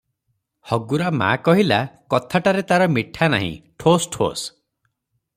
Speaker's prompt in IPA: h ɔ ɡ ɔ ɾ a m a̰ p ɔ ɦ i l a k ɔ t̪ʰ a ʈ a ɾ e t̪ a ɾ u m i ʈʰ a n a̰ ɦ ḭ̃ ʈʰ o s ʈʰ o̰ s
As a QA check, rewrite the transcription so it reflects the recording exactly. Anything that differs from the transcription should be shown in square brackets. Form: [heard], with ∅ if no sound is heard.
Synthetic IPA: h ɔ ɡ [u] ɾ a m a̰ [k] ɔ ɦ i l a k ɔ t̪ʰ a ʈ a ɾ e t̪ a ɾ [ɔ] m i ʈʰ a n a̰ ɦ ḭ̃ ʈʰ o s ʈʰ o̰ s